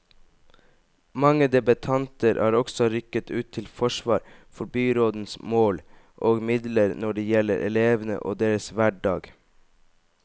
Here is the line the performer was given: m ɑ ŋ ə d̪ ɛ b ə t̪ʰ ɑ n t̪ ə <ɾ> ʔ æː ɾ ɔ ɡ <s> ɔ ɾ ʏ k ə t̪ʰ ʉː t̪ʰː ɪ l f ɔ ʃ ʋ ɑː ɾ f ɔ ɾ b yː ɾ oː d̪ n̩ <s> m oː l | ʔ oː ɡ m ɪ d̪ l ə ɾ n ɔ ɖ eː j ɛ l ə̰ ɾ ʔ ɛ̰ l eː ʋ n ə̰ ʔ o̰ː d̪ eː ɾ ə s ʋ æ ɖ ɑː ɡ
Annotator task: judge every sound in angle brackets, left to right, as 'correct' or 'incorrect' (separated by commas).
correct, correct, correct